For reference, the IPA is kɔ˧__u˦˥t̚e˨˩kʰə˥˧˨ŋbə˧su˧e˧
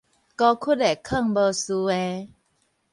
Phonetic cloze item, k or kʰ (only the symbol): kʰ